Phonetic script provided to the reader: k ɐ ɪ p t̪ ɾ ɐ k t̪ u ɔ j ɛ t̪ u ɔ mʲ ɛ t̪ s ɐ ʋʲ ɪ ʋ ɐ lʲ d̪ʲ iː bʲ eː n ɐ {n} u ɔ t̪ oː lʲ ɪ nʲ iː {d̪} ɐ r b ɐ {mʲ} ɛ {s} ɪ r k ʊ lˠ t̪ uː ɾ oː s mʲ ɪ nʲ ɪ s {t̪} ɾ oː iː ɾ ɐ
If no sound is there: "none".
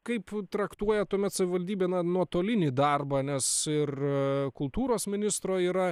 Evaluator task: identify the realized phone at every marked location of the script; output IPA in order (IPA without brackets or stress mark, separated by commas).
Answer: n, d̪, nʲ, s, t̪